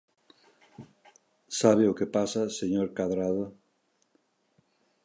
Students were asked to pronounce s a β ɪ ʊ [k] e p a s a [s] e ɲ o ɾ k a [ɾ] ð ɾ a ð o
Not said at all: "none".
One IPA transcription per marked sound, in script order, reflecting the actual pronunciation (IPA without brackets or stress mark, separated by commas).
k, s, none